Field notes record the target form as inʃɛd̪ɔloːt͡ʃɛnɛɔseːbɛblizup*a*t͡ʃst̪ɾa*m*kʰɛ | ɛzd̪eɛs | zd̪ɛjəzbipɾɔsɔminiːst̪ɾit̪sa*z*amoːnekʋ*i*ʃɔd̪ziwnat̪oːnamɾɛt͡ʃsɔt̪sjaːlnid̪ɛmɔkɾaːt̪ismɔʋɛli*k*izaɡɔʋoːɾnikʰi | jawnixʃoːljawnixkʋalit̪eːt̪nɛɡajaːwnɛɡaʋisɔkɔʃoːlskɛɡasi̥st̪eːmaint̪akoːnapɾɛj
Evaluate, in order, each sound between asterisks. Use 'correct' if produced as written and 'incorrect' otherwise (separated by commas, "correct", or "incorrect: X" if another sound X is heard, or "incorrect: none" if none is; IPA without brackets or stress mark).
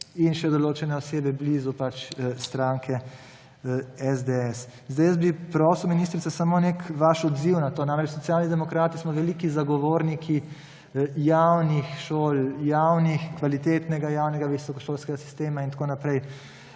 correct, incorrect: ŋ, incorrect: s, incorrect: a, correct